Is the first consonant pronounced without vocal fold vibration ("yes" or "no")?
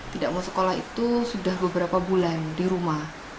yes